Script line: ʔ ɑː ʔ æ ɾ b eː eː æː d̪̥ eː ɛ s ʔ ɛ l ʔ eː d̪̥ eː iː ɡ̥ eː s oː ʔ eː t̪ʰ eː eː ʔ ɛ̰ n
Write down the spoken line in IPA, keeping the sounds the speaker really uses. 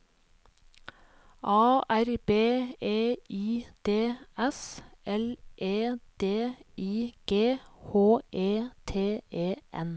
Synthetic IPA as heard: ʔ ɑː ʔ æ ɾ b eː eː iː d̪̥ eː ɛ s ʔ ɛ l ʔ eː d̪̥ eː iː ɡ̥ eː h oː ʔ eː t̪ʰ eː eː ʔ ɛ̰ n